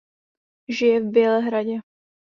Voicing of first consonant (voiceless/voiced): voiced